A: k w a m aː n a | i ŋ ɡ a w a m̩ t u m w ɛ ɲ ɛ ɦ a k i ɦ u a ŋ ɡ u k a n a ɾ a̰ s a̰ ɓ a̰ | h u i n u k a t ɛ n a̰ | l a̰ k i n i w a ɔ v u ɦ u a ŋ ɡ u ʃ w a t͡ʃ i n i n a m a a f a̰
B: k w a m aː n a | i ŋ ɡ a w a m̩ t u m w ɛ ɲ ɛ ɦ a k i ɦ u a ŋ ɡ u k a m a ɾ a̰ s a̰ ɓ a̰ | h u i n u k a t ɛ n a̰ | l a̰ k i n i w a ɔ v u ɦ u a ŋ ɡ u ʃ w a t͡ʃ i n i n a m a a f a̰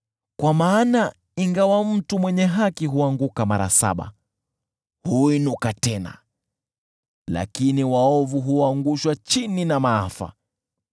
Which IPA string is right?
B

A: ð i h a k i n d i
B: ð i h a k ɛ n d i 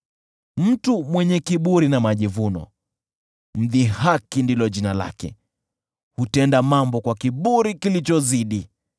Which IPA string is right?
A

